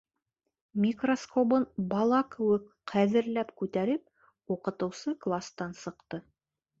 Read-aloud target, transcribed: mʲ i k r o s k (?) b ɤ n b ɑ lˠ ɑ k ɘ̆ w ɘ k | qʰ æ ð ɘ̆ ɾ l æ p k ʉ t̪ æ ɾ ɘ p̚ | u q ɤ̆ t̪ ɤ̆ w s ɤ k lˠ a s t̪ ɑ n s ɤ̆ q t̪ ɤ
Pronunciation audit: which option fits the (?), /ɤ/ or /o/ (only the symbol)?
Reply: o